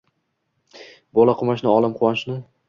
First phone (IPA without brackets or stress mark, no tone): b